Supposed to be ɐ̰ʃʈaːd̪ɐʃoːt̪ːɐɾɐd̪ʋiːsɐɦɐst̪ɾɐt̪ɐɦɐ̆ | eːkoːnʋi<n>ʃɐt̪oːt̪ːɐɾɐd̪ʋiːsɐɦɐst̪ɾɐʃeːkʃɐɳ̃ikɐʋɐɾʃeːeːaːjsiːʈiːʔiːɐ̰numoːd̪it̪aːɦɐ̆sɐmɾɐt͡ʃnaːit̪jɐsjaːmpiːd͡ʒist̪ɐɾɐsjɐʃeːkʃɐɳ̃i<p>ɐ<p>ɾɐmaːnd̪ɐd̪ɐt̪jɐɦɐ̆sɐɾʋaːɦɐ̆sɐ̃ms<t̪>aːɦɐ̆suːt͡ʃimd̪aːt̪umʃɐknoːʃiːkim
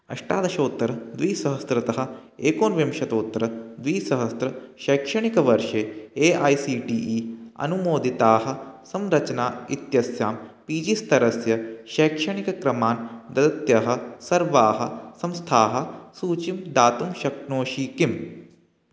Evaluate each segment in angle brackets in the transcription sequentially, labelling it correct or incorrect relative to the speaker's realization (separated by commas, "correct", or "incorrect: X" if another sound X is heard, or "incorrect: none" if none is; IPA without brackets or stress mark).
incorrect: m, incorrect: k, incorrect: k, incorrect: t̪ʰ